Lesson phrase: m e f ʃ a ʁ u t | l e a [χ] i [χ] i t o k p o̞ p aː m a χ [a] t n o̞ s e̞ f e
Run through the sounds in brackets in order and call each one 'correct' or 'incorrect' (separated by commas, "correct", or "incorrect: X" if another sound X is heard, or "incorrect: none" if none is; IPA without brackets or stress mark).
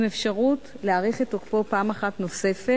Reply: incorrect: ʁ, correct, correct